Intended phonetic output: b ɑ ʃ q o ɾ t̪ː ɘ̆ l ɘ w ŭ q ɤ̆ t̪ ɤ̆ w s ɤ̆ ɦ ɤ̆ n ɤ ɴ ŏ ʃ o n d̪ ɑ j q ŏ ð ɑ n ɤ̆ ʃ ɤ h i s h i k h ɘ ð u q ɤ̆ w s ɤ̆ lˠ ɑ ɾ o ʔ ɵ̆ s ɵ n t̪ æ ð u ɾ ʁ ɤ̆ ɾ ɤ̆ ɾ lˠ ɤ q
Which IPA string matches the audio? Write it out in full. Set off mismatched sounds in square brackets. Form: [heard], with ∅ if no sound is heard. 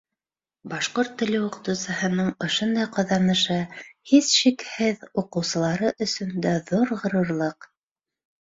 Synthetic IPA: b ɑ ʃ q o ɾ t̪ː ɘ̆ l ɘ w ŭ q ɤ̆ t̪ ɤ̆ w s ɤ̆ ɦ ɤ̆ n ɤ ɴ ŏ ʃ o n d̪ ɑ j q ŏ ð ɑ n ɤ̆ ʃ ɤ h i s [ʃ] i k h ɘ ð u q ɤ̆ w s ɤ̆ lˠ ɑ ɾ [ɤ] ʔ ɵ̆ s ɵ n [d̪] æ ð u ɾ ʁ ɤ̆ ɾ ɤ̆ ɾ lˠ ɤ q